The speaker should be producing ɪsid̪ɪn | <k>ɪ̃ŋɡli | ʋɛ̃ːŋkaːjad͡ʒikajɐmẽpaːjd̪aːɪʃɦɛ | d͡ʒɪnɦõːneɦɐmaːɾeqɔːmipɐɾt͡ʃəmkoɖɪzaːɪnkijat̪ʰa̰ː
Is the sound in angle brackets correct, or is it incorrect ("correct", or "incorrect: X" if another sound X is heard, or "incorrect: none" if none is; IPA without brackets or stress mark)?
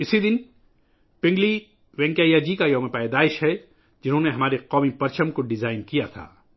incorrect: p